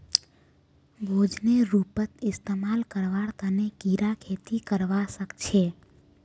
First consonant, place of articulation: labial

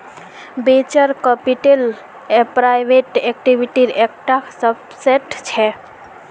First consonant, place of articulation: labial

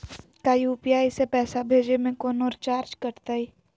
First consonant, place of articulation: velar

